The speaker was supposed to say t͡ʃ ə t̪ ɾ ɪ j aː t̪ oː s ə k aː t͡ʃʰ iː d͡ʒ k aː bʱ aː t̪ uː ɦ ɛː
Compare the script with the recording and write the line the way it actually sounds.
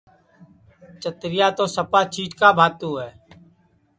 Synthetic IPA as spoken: t͡ʃ ə t̪ ɾ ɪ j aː t̪ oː s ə p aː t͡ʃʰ iː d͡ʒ k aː bʱ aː t̪ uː ɦ ɛː